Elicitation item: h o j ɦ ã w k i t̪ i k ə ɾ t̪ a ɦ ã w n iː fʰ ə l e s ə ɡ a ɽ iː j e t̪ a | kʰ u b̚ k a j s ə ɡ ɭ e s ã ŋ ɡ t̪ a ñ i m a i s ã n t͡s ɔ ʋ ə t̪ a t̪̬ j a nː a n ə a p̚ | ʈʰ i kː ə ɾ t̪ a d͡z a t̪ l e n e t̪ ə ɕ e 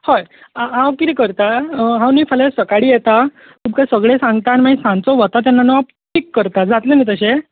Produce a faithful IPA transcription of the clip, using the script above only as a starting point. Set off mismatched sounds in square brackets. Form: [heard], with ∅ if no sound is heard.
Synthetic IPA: h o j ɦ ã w k i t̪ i k ə ɾ t̪ a ɦ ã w n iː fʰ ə l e s ə [k] a ɽ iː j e t̪ a | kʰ u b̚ k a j s ə ɡ ɭ e s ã ŋ ɡ t̪ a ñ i m a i s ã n t͡s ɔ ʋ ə t̪ a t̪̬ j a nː a n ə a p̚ | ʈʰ i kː ə ɾ t̪ a d͡z a t̪ l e n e t̪ ə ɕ e